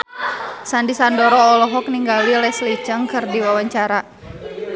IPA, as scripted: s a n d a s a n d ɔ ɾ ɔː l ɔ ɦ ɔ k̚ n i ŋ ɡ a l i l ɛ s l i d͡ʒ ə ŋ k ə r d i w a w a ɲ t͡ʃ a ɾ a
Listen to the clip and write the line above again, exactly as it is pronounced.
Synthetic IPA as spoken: s a n d i s a n d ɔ ɾ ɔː l ɔ ɦ ɔ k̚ n i ŋ ɡ a l i l ɛ s l i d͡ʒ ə ŋ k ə r d i w a w a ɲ t͡ʃ a ɾ a